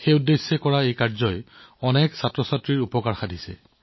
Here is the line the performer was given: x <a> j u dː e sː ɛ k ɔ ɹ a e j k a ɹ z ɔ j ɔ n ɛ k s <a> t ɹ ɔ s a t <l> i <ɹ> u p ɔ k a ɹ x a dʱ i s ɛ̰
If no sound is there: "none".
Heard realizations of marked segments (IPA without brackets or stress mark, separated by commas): e, a, ɹ, ɹ